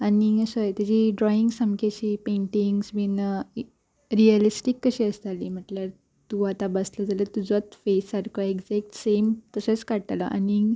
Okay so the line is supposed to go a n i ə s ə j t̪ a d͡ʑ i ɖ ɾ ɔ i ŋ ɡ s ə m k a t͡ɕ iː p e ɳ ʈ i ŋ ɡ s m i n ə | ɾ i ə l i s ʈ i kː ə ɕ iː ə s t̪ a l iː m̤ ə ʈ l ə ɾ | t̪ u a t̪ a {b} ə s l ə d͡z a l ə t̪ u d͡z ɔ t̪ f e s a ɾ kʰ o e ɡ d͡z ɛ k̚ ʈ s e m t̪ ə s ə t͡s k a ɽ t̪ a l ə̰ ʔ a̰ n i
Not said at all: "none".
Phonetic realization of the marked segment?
b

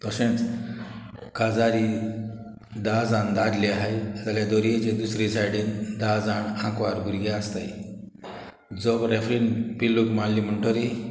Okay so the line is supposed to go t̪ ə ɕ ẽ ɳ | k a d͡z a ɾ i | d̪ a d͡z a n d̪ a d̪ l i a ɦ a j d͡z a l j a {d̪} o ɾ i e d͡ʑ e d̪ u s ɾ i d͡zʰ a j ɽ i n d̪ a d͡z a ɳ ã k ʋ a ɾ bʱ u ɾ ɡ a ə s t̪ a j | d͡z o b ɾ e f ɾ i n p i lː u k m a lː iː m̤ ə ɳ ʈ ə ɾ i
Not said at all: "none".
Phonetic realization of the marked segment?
d̪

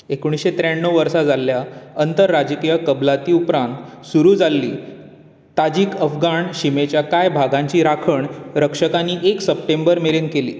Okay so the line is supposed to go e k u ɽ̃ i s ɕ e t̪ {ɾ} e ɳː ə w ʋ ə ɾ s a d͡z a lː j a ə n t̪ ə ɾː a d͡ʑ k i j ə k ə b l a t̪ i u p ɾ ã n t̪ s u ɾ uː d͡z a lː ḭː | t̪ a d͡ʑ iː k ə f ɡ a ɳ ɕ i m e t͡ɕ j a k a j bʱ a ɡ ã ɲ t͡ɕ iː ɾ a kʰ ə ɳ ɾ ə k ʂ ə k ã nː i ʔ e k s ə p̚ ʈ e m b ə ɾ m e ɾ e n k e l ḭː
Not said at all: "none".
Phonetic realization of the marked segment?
ɾ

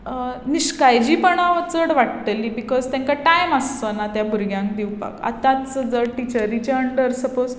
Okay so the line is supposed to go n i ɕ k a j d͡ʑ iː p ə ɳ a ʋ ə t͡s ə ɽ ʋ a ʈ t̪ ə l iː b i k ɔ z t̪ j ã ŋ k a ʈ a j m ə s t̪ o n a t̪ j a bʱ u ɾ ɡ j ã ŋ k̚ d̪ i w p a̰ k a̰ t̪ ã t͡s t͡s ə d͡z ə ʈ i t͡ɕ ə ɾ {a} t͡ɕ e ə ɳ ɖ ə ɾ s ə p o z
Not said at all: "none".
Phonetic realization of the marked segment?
i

